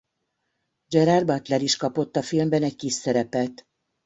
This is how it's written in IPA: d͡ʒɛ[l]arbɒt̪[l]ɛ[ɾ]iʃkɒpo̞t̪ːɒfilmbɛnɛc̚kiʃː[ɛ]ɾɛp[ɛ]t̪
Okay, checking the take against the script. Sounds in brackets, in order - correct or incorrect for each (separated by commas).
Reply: incorrect, correct, correct, correct, correct